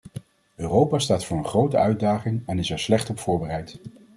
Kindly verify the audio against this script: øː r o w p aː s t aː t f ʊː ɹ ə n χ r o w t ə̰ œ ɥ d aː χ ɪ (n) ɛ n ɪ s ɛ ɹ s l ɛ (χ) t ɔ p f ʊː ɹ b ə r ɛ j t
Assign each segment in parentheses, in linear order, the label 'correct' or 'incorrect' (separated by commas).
incorrect, correct